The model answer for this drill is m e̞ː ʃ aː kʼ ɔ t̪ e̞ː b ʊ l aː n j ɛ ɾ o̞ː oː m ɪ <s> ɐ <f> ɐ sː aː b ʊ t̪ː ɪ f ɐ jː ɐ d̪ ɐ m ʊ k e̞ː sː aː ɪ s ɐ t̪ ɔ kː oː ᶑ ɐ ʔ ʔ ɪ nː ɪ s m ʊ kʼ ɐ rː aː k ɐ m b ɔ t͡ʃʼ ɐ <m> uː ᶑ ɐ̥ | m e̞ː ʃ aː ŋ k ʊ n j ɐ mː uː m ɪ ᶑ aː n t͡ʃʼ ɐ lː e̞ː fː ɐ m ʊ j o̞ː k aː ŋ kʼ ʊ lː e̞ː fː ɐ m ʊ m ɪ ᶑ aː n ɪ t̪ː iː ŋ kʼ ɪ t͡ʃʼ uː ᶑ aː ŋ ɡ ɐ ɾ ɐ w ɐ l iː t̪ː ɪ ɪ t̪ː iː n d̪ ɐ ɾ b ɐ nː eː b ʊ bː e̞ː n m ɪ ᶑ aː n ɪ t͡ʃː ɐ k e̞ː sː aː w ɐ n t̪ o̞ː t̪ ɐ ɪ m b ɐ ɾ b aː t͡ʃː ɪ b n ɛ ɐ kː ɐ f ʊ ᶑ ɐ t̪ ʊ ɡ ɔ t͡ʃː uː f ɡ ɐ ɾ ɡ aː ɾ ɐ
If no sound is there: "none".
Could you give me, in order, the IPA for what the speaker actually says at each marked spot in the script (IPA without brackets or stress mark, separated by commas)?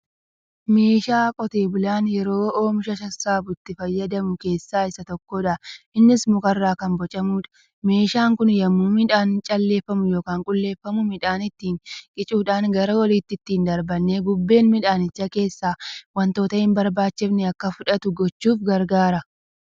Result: ʃ, ʃ, m